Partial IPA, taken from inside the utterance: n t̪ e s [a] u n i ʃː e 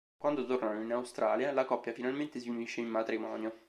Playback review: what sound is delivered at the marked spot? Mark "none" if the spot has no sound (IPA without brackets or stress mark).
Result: i